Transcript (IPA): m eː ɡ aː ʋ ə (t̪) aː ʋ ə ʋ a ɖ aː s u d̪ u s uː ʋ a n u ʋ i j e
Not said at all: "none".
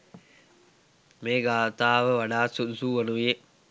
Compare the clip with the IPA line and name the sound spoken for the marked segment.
t̪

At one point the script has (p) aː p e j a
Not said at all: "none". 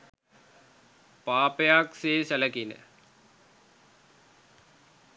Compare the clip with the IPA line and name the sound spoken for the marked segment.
p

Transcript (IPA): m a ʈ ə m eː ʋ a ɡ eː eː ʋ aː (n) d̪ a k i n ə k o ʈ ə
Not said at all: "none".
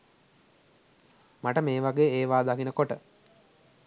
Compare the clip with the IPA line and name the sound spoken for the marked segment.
none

